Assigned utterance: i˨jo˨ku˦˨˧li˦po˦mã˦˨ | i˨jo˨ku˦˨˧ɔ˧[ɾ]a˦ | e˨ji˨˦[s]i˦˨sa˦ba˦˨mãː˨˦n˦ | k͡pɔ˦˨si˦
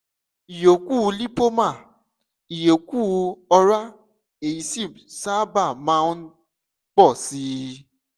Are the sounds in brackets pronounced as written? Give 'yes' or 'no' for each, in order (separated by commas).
yes, yes